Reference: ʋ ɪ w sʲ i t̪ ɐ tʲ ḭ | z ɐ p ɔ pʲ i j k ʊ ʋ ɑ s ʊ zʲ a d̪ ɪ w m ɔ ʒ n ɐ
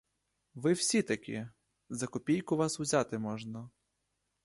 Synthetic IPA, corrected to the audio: ʋ ɪ w sʲ i t̪ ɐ kʲ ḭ | z ɐ k ɔ pʲ i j k ʊ ʋ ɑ s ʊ zʲ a t̪ ɪ m ɔ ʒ n ɐ